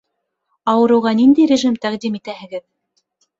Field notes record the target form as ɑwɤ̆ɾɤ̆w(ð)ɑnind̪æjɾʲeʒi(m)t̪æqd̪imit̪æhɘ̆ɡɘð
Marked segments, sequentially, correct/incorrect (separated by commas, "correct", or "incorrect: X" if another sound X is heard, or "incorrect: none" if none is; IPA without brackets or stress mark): incorrect: ʁ, correct